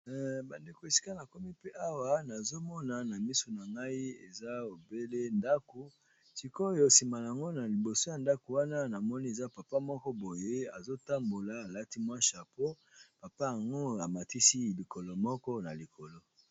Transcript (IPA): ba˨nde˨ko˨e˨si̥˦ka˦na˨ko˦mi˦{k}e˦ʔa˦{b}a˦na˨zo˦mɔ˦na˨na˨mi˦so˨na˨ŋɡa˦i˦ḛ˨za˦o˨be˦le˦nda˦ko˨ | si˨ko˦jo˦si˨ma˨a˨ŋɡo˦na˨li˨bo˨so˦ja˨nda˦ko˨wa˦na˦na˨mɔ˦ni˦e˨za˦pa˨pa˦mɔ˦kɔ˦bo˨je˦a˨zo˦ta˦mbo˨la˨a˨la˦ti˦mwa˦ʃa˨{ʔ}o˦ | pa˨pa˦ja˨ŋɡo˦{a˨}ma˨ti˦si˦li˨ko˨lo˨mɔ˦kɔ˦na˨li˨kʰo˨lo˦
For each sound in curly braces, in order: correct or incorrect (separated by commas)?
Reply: incorrect, incorrect, incorrect, correct